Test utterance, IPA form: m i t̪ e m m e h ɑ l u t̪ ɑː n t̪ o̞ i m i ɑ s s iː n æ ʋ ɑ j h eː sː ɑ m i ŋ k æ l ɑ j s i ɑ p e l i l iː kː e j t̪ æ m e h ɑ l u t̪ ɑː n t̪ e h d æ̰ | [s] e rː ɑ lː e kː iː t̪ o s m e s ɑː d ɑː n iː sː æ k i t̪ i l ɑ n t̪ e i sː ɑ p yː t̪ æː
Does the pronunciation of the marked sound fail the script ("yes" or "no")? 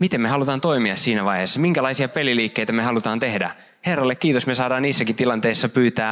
yes